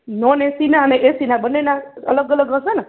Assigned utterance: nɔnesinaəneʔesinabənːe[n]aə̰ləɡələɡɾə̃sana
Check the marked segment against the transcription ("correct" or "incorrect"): correct